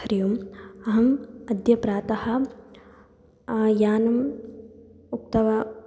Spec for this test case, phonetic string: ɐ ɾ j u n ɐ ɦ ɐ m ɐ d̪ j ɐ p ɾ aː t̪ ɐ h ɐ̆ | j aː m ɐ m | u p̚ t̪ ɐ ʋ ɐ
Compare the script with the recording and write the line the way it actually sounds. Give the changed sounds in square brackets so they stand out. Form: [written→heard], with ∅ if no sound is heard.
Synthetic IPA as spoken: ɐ ɾ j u [n→m] ɐ ɦ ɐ m ɐ d̪ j ɐ p ɾ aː t̪ ɐ h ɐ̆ | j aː [m→n] ɐ m | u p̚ t̪ ɐ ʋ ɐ